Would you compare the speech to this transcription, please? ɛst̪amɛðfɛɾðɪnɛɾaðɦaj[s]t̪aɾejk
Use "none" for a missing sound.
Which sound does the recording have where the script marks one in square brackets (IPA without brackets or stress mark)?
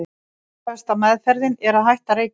h